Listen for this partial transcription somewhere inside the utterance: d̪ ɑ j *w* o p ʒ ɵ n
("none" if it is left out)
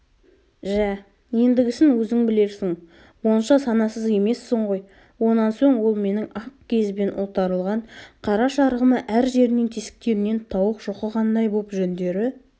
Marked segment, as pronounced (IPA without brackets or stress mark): b